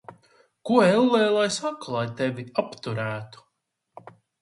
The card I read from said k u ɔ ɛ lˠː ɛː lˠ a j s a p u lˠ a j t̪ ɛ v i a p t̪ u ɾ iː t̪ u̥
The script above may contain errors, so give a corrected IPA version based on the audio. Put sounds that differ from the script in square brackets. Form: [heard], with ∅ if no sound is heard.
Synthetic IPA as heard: k u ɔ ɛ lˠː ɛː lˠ a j s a [k] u lˠ a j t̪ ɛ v i a p t̪ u ɾ [æː] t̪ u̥